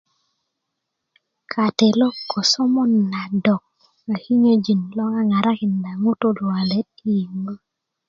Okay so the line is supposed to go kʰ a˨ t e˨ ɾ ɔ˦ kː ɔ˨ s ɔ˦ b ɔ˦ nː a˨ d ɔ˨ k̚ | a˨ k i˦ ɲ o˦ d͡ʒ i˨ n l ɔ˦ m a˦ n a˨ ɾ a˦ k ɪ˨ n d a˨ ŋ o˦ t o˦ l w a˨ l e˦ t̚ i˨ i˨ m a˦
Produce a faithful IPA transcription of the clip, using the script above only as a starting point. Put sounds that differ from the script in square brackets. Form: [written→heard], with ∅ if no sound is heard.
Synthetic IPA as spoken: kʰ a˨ t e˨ [ɾ→l] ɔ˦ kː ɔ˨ s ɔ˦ [b→m] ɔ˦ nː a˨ d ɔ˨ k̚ | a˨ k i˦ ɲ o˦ d͡ʒ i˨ n l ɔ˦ [m→ŋ] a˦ [n→ŋ] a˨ ɾ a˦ k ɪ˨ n d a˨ ŋ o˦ t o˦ l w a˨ l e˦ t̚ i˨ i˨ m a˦